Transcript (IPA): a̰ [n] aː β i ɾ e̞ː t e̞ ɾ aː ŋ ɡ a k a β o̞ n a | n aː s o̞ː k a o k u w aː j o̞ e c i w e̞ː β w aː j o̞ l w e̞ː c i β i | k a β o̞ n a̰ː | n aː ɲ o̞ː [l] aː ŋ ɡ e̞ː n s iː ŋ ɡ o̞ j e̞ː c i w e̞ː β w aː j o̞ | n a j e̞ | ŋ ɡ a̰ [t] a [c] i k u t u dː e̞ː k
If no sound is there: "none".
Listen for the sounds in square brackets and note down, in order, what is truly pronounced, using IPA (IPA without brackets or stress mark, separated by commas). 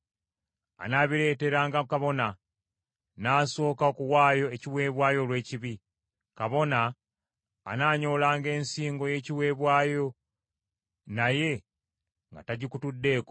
n, l, t, ɟ